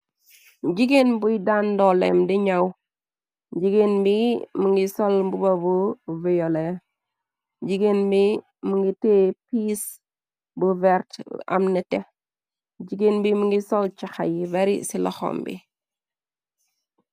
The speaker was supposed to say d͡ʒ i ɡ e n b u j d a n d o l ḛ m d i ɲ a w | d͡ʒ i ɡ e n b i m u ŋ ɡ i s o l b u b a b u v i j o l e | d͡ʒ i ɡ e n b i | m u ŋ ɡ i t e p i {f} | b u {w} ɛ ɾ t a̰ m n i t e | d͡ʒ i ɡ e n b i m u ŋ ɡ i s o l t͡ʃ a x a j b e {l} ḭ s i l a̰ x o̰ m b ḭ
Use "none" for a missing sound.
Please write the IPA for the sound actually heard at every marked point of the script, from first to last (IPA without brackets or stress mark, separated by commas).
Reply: s, v, ɾ